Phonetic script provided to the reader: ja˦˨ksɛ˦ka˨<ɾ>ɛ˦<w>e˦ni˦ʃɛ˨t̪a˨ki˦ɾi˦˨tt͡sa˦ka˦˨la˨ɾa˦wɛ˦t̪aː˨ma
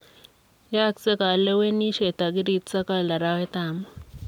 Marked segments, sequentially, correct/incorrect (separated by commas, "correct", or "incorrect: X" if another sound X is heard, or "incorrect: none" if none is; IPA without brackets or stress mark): incorrect: l, correct